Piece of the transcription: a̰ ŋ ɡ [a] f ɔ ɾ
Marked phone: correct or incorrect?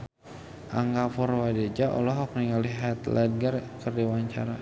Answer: correct